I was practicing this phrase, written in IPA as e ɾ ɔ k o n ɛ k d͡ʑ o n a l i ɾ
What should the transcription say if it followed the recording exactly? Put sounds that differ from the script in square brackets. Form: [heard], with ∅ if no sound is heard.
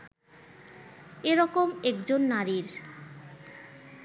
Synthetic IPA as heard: e ɾ ɔ k o [m] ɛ k d͡ʑ o [nː] a [ɾ] i ɾ